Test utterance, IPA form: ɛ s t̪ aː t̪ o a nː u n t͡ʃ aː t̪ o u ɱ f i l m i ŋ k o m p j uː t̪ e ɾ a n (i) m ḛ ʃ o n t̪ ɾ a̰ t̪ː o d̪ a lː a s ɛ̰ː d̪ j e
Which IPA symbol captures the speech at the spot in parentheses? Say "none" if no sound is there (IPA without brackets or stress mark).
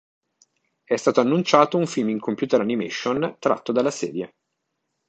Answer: i